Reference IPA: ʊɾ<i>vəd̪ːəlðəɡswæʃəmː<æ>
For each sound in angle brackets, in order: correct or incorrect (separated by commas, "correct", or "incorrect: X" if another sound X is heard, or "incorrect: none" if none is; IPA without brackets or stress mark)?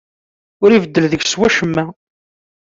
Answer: correct, correct